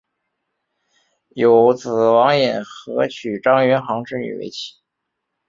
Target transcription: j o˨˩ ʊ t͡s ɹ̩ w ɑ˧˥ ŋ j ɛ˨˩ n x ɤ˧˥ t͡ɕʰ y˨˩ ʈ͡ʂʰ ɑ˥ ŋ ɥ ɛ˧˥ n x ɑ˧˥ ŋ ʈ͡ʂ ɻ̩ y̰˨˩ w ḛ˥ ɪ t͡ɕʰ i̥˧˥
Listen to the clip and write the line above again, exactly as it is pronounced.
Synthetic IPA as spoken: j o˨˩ ʊ t͡s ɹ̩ w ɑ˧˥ ŋ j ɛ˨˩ n x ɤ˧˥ t͡ɕʰ y˨˩ ʈ͡ʂ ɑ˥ ŋ ɥ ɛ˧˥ n x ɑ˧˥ ŋ ʈ͡ʂ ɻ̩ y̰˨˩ w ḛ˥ ɪ t͡ɕʰ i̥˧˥